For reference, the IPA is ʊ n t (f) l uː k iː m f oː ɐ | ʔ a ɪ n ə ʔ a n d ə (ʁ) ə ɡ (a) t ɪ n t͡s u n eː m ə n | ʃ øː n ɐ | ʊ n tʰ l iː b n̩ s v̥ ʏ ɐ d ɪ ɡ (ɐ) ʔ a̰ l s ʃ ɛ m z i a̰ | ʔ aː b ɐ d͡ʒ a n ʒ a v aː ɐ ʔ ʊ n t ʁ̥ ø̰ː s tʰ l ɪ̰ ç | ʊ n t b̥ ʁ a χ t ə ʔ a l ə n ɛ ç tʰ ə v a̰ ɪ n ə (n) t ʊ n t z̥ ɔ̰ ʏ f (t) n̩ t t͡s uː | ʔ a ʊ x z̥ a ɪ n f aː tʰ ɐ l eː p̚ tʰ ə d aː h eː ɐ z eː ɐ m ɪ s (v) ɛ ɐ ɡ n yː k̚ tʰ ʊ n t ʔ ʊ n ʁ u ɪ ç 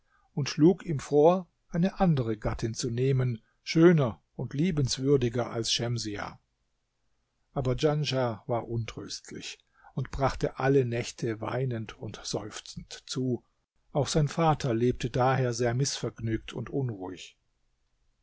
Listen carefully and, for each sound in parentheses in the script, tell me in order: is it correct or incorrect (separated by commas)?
incorrect, correct, correct, correct, correct, incorrect, incorrect